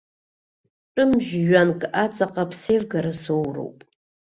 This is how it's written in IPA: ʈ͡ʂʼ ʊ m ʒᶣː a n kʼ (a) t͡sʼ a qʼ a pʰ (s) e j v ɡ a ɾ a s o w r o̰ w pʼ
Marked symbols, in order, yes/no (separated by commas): yes, yes